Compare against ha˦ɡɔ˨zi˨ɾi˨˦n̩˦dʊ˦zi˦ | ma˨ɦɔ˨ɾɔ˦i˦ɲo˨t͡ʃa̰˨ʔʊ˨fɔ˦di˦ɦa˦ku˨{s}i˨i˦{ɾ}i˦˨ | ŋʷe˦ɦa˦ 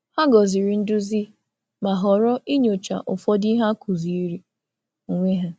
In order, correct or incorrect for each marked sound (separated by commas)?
incorrect, correct